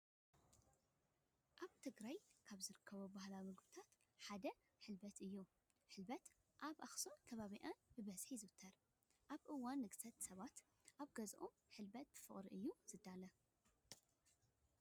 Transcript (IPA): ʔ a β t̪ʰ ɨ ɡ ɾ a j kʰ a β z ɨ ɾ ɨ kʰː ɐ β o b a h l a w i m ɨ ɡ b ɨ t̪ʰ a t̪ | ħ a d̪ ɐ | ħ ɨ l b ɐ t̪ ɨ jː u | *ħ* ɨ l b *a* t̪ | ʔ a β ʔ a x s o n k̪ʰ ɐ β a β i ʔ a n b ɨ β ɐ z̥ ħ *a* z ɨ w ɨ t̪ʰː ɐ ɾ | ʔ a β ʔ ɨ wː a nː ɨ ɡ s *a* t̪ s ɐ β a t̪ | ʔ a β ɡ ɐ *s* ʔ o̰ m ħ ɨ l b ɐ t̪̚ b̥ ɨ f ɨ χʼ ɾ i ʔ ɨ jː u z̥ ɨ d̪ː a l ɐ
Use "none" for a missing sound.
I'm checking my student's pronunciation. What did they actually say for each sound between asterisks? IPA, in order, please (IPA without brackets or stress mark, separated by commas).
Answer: ħ, ɐ, i, ɐ, z